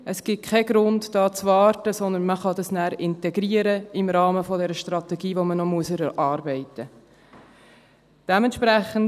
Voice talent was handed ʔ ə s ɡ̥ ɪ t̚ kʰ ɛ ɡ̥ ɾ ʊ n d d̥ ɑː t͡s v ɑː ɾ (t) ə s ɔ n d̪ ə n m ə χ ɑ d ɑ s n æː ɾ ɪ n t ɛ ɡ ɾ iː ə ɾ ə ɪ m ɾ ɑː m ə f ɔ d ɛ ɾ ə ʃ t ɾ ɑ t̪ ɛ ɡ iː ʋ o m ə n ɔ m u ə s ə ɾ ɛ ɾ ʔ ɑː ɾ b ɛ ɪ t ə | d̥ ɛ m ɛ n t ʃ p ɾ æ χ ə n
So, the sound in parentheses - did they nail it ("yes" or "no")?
yes